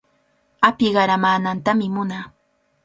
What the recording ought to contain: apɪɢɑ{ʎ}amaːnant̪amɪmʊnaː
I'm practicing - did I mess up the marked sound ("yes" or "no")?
yes